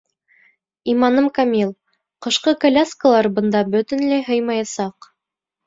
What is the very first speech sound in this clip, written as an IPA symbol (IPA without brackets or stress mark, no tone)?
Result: i